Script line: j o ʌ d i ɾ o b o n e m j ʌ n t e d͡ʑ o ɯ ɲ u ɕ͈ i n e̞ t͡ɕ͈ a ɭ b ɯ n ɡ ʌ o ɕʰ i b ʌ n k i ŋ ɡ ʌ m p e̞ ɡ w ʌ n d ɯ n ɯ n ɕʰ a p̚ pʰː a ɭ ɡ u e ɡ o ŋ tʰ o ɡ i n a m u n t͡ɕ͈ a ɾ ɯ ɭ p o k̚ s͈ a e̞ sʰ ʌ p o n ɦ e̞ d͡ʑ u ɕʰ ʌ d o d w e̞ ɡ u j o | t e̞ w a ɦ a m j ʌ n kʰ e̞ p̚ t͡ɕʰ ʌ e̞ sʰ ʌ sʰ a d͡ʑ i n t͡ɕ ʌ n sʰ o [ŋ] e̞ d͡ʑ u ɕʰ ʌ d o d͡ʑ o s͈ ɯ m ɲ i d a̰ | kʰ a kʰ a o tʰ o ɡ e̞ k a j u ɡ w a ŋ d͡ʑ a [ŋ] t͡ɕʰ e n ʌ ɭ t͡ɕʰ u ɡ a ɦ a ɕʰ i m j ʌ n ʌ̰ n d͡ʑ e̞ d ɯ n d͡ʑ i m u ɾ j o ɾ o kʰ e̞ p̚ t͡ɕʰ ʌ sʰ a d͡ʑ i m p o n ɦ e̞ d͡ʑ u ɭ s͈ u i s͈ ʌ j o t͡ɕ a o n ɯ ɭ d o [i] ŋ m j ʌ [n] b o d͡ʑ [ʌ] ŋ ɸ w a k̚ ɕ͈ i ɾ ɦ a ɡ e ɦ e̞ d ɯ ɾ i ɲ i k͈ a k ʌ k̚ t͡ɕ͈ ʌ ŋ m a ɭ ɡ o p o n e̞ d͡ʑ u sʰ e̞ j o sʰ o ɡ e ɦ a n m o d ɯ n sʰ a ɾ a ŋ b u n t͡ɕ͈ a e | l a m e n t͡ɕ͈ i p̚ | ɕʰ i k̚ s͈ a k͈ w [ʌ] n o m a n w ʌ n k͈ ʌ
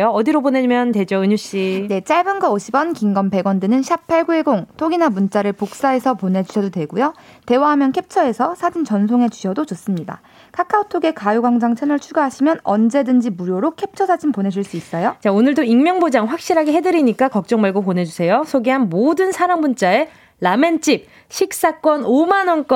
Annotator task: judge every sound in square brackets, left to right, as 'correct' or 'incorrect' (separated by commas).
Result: correct, correct, correct, incorrect, incorrect, correct